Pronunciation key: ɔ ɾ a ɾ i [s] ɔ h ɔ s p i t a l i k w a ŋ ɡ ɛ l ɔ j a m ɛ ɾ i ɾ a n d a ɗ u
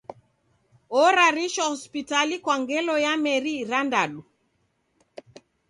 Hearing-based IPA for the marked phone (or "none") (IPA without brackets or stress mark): ʃ